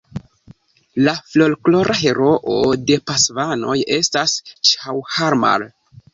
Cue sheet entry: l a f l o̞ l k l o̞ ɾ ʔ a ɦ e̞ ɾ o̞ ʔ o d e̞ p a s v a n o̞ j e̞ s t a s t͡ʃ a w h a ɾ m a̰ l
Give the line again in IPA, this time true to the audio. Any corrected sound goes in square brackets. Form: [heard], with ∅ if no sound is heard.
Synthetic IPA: l a f l o̞ l k l o̞ ɾ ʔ a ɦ e̞ ɾ o̞ ʔ o d e̞ p a s v a n o̞ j e̞ s t a s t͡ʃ a w h a ɾ m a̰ l